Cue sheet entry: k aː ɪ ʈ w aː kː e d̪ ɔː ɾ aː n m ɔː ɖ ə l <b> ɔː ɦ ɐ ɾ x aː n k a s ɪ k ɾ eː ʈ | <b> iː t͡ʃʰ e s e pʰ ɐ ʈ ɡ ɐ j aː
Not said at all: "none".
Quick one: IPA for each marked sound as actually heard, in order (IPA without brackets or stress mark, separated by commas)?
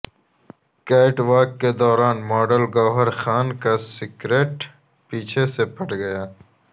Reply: ɡ, p